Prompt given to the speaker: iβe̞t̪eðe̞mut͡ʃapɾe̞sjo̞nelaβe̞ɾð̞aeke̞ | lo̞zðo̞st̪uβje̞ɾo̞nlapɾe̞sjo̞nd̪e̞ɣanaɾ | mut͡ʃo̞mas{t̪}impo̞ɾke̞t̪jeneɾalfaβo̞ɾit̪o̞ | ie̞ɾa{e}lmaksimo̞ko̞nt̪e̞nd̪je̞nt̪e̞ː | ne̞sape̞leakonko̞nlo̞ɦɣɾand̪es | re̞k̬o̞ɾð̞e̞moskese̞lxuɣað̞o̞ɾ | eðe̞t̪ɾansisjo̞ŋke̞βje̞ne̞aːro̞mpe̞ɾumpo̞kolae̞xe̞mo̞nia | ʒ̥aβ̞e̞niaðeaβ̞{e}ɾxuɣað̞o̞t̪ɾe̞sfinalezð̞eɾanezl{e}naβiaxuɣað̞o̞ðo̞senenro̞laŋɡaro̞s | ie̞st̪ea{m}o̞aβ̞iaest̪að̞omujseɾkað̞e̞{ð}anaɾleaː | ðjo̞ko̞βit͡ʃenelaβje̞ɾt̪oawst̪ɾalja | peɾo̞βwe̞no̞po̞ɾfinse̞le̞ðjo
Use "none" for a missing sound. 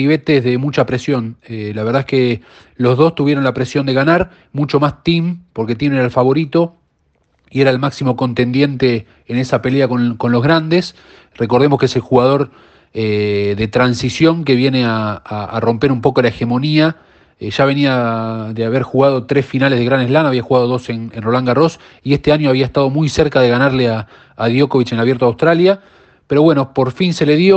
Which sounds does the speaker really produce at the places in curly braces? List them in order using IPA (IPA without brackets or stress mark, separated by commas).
t̪, e, e, a, ɲ, ɣ